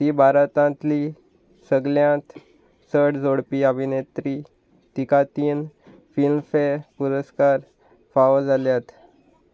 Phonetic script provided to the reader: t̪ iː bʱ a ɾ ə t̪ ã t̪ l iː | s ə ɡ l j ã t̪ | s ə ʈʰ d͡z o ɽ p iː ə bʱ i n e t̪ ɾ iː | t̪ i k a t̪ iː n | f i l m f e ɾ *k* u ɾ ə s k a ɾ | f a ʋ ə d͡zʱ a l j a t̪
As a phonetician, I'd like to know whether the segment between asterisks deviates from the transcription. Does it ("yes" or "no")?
yes